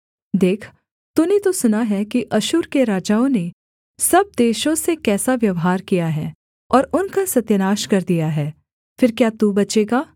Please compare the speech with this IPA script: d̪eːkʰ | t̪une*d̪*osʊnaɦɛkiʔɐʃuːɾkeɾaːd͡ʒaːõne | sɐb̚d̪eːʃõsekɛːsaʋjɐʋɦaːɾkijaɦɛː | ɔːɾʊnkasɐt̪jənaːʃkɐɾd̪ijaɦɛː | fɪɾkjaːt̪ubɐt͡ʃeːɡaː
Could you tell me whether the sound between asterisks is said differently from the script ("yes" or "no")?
yes